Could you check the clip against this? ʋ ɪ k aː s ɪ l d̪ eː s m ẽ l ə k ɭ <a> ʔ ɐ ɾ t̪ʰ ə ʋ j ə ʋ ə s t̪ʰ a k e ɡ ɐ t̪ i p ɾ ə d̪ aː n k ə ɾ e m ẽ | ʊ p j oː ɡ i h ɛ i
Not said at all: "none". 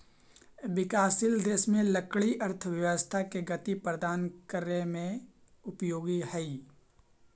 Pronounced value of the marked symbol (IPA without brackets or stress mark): i